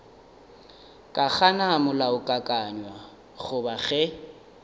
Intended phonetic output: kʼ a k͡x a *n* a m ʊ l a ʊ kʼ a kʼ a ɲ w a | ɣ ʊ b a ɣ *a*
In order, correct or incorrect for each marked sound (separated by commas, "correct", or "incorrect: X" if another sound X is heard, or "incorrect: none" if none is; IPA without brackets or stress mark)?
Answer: correct, incorrect: ɛ